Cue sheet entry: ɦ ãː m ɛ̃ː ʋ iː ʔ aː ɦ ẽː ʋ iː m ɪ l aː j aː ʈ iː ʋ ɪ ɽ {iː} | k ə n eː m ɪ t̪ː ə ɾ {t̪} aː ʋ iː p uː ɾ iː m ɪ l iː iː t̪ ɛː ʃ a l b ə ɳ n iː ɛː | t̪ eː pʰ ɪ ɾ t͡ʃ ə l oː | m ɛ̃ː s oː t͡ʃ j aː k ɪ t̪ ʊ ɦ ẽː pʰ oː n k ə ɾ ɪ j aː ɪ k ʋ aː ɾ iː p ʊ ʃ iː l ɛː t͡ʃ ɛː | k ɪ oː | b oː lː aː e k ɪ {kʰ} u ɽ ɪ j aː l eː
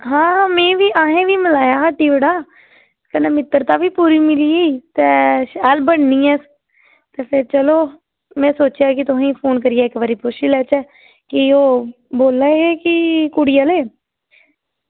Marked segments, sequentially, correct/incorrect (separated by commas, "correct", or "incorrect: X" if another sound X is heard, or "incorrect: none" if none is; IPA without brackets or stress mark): incorrect: aː, correct, incorrect: k